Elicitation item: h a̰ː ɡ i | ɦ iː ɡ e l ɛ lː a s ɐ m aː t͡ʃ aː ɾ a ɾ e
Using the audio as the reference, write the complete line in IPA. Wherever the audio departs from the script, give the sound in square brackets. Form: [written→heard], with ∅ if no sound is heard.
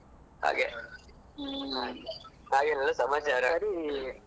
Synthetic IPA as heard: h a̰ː ɡ [i→e] | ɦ [iː→aː] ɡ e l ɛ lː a s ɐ m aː t͡ʃ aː ɾ a ɾ [e→i]